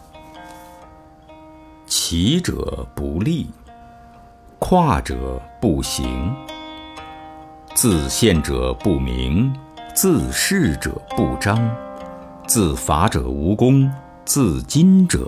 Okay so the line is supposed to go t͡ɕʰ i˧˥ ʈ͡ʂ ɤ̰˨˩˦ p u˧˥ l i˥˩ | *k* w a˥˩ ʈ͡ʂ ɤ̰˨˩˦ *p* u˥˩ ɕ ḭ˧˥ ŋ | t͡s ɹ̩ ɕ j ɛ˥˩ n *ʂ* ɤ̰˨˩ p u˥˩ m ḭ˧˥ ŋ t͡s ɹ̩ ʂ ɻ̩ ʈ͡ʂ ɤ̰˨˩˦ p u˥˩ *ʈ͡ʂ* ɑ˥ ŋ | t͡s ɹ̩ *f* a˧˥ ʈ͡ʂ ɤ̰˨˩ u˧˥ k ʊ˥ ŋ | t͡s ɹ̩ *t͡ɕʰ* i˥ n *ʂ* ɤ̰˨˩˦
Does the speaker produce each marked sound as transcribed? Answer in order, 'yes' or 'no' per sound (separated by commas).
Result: no, yes, no, yes, yes, no, no